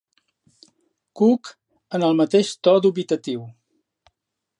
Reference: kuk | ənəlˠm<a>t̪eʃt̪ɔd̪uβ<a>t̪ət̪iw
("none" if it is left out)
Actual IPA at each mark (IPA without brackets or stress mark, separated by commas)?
ə, i